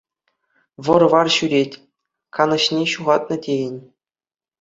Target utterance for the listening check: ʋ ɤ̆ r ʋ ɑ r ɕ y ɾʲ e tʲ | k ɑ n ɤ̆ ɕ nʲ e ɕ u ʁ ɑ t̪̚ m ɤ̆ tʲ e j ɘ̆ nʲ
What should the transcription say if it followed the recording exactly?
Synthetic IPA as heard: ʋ ɤ̆ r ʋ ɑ r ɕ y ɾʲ e tʲ | k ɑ n ɤ̆ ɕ nʲ e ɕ u ʁ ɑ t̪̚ n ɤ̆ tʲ e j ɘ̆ nʲ